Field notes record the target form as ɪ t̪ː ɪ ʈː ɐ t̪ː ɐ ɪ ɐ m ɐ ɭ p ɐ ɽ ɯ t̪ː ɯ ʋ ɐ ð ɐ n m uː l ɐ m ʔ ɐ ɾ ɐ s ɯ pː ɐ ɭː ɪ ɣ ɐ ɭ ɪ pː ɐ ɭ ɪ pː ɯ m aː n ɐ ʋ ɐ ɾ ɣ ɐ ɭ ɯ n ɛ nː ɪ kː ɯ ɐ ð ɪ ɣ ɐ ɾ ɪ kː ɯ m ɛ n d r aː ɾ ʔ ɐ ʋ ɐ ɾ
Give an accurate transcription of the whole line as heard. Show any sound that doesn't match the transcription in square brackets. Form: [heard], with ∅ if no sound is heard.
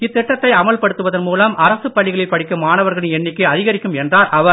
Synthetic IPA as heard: ɪ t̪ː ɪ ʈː ɐ t̪ː ɐ ɪ ɐ m ɐ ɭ p ɐ ɽ ɯ t̪ː ɯ ʋ ɐ ð ɐ n m uː l ɐ m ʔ ɐ ɾ ɐ s ɯ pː ɐ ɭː ɪ ɣ ɐ ɭ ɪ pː ɐ [ɽ] ɪ [kː] ɯ m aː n ɐ ʋ ɐ ɾ ɣ ɐ ɭ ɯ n ɛ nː ɪ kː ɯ ɐ ð ɪ ɣ ɐ ɾ ɪ kː ɯ m ɛ n d r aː ɾ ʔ ɐ ʋ ɐ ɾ